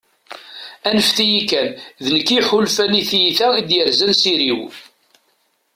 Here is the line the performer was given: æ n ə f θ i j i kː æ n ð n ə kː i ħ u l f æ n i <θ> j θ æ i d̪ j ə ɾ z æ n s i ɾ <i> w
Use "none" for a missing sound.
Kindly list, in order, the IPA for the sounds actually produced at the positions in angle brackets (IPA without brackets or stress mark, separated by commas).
θ, i